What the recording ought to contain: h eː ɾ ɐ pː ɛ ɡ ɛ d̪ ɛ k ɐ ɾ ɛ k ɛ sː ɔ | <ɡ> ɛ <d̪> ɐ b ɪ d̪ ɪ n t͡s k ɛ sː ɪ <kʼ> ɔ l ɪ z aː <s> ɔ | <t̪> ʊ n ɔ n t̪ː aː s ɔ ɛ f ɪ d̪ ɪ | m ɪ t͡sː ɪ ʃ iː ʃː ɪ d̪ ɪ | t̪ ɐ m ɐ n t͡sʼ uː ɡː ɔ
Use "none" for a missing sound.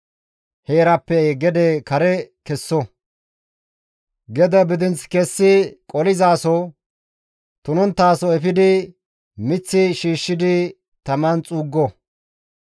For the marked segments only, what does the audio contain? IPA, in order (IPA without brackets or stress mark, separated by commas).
ɡ, d̪, kʼ, s, t̪